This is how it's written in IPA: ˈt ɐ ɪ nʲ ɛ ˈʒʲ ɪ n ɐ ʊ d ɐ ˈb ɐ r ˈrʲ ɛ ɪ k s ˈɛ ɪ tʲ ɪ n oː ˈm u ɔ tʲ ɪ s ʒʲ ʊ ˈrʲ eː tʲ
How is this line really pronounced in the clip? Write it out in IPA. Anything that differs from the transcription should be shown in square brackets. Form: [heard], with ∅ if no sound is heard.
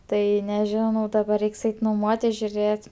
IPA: ˈt ɐ ɪ nʲ ɛ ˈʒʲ ɪ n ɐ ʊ d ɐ ˈb ɐ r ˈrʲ ɛ ɪ k s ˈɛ ɪ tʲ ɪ n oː ˈm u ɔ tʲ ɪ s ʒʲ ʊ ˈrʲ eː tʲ